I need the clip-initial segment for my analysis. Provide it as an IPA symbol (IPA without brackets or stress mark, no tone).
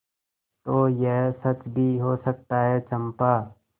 t̪